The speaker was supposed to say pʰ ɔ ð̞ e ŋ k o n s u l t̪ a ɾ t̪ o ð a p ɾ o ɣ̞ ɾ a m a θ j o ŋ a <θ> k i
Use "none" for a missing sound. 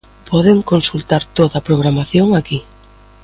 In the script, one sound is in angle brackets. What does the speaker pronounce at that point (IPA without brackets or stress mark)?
none